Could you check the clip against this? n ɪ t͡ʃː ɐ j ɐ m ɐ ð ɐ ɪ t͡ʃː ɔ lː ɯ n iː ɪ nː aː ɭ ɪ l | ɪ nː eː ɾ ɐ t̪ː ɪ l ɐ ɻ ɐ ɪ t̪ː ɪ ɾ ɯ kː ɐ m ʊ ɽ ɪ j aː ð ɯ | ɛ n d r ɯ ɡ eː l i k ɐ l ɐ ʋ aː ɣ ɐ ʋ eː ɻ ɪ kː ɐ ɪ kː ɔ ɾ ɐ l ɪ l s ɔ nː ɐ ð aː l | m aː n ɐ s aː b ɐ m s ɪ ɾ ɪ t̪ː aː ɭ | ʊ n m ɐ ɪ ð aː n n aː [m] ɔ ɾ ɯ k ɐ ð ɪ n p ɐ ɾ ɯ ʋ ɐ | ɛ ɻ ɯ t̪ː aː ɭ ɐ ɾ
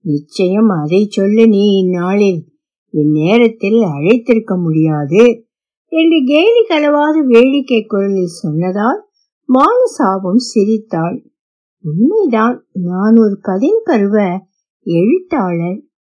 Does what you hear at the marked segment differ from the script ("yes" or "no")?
yes